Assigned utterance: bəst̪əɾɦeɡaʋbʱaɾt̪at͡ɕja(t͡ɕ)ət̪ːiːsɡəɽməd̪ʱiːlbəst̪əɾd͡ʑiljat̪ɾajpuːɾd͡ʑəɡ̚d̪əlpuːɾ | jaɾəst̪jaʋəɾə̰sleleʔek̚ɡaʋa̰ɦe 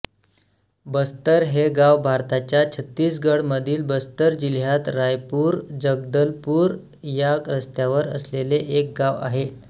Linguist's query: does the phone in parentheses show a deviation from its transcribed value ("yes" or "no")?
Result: yes